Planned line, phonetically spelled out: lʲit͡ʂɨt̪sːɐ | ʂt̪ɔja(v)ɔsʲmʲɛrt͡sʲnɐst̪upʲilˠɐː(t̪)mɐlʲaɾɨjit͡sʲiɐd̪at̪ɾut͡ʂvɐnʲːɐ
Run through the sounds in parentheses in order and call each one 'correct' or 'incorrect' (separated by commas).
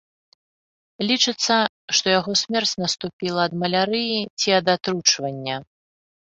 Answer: incorrect, incorrect